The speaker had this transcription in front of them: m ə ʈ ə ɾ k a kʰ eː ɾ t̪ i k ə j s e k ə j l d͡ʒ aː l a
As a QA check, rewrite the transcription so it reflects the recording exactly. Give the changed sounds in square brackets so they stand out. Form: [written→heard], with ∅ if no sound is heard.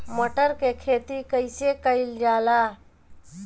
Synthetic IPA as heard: m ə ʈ ə ɾ k [a→e] kʰ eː [ɾ→∅] t̪ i k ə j s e k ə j l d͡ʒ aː l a